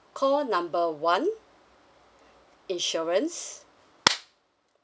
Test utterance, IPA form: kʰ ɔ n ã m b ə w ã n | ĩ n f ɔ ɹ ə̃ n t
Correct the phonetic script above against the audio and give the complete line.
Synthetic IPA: kʰ ɔ n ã m b ə w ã n | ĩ n ʃ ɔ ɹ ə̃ n s